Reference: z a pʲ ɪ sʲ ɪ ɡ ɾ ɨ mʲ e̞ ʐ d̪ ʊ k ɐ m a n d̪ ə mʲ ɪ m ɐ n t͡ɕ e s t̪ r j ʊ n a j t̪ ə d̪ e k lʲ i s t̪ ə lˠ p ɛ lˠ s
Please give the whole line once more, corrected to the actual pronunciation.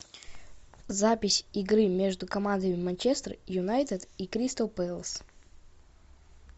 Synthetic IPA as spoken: z a pʲ ɪ sʲ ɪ ɡ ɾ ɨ mʲ e̞ ʐ d̪ ʊ k ɐ m a n d̪ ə mʲ ɪ m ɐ n t͡ɕ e s t̪ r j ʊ n a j t̪ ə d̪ i k ɾʲ i s t̪ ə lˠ p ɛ lˠ s

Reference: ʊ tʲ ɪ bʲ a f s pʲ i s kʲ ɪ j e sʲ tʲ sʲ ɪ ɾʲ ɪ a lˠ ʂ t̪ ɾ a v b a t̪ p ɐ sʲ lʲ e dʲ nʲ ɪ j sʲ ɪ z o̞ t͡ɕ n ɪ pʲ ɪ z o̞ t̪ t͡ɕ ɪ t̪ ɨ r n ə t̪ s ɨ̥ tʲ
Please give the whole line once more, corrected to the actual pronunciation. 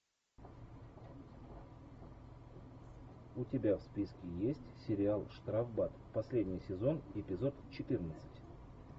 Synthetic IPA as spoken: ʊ tʲ ɪ bʲ a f s pʲ i s kʲ ɪ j e sʲ tʲ sʲ ɪ ɾʲ ɪ a lˠ ʂ t̪ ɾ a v b a t̪ p ɐ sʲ lʲ e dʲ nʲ ɪ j sʲ ɪ z o̞ n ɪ pʲ ɪ z o̞ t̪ t͡ɕ ɪ t̪ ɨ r n ə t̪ s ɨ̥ tʲ

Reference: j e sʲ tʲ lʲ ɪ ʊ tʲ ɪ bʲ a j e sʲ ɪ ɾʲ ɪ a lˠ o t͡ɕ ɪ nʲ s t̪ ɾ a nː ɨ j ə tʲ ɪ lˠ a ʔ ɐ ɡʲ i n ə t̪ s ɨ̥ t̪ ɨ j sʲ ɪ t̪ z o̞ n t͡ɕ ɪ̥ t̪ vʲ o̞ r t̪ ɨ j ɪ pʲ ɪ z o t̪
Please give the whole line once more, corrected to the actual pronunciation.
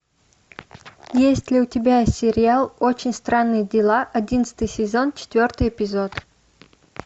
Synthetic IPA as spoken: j e sʲ tʲ lʲ ɪ ʊ tʲ ɪ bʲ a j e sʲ ɪ ɾʲ ɪ a lˠ o t͡ɕ ɪ nʲ s t̪ ɾ a nː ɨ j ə dʲ ɪ lˠ a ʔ ɐ dʲ i n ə t̪ s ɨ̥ t̪ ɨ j sʲ ɪ z o̞ n t͡ɕ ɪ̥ t̪ vʲ o̞ r t̪ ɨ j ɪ pʲ ɪ z o t̪

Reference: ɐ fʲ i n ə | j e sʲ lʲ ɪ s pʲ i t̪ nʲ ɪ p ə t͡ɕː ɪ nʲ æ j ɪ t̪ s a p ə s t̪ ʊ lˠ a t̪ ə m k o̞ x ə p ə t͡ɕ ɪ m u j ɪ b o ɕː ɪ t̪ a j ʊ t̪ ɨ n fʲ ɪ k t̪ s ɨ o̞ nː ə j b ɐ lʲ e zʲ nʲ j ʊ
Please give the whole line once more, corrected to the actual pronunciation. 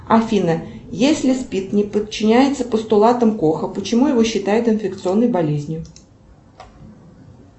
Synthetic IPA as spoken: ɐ fʲ i n ə | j e sʲ lʲ ɪ s pʲ i t̪ nʲ ɪ p ə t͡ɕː ɪ nʲ æ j ɪ t̪ s ə p ə s t̪ ʊ lˠ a t̪ ə m k o̞ x ə p ə t͡ɕ ɪ m u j ɪ v o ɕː ɪ t̪ a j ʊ t̪ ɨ n fʲ ɪ k t̪ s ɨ o̞ nː ə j b ɐ lʲ e zʲ nʲ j ʊ

